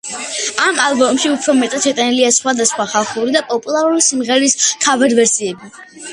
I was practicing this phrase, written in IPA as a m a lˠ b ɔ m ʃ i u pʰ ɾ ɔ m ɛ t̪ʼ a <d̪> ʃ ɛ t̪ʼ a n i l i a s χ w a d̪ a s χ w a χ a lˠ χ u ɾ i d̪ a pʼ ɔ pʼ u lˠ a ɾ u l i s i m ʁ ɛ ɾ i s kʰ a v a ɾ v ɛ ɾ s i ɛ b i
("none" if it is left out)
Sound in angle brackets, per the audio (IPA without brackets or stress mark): t̪